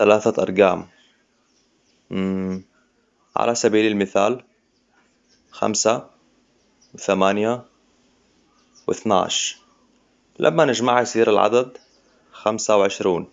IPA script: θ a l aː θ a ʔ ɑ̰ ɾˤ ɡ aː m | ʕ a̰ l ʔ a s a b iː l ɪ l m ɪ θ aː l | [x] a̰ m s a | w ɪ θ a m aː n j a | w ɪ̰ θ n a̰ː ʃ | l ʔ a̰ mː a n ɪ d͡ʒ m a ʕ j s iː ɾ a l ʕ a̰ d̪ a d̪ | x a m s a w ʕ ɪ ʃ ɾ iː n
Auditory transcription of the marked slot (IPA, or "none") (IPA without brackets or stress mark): x